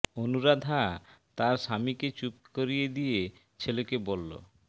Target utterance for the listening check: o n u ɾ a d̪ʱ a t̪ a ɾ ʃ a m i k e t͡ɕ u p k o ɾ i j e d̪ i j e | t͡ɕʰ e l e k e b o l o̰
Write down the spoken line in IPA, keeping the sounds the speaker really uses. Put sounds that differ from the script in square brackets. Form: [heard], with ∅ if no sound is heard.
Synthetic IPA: o n u ɾ a d̪ʱ a t̪ a ɾ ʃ a m i k e t͡ɕ u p k o ɾ i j e d̪ i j e | t͡ɕʰ e l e k e b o [lː] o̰